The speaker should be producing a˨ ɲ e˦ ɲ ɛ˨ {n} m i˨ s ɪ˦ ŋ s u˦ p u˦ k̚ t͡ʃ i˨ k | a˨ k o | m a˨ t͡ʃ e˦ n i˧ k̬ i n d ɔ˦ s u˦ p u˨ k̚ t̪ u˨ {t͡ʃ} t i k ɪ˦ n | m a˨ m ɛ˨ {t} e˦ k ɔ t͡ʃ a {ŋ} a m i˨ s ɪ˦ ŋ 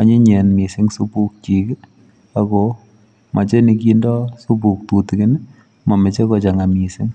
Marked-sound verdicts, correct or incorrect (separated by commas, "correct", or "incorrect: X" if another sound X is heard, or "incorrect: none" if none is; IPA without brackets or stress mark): correct, incorrect: none, incorrect: t͡ʃ, correct